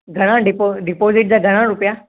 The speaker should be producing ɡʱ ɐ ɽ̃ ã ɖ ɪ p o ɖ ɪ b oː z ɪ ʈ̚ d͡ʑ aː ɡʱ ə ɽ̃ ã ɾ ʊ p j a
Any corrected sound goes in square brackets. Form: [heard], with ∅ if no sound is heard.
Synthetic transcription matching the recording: ɡʱ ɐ ɽ̃ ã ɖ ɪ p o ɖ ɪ [p] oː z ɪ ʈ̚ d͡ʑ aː ɡʱ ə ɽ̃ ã ɾ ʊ p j a